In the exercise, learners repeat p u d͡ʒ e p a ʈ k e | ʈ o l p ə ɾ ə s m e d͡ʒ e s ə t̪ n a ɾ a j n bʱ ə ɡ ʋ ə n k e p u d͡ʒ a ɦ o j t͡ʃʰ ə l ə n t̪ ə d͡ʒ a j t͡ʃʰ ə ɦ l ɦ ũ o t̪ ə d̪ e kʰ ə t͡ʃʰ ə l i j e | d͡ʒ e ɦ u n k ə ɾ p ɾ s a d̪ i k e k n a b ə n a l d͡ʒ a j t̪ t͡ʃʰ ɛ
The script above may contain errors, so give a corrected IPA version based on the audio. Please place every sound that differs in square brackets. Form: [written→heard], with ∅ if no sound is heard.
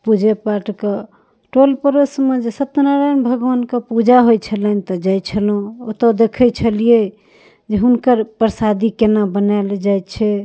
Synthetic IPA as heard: p u d͡ʒ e p a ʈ k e | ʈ o l p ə ɾ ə s m e d͡ʒ e s ə t̪ n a ɾ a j n bʱ ə ɡ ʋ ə n k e p u d͡ʒ a ɦ o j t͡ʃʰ ə l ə n t̪ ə d͡ʒ a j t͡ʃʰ ə [ɦ→∅] l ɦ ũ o t̪ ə d̪ e kʰ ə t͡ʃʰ ə l i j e | d͡ʒ e ɦ u n k ə ɾ p ɾ s a d̪ i k e [k→∅] n a b ə n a l d͡ʒ a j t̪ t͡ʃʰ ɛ